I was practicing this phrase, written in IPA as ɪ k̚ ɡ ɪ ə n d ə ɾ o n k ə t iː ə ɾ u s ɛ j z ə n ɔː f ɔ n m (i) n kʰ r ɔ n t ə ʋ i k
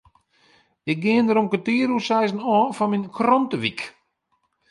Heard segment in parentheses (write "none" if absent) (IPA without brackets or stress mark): i